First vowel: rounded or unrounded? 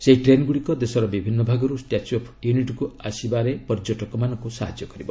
unrounded